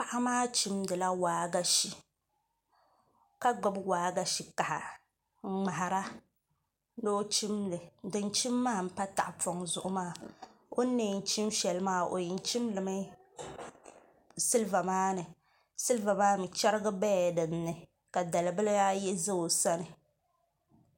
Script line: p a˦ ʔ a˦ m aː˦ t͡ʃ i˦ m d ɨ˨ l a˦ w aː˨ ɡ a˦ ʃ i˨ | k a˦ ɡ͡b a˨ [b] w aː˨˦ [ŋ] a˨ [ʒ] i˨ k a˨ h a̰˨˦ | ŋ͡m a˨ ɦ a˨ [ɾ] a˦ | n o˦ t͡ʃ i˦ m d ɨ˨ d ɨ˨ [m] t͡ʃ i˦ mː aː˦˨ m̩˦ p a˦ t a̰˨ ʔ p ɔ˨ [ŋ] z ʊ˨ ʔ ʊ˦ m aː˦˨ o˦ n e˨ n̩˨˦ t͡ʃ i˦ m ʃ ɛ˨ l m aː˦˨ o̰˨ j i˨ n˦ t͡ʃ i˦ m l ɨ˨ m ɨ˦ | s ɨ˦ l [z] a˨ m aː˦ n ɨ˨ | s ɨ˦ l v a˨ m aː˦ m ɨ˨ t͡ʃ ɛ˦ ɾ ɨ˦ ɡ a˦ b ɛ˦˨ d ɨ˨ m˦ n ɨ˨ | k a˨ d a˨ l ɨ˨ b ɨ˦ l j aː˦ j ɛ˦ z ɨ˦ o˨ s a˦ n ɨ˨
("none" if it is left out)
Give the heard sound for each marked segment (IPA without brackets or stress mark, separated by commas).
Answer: b, ɡ, ʃ, ɾ, n, ŋ, v